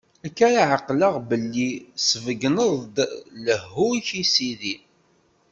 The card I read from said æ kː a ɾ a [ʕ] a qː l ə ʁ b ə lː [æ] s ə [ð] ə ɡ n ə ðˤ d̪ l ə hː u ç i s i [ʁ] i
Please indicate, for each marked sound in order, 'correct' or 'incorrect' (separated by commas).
correct, incorrect, incorrect, incorrect